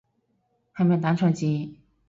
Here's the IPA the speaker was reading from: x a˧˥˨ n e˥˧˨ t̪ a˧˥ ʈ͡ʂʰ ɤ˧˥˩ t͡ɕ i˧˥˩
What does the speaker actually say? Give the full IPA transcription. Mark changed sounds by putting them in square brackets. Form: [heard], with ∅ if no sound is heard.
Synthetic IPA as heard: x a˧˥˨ [m] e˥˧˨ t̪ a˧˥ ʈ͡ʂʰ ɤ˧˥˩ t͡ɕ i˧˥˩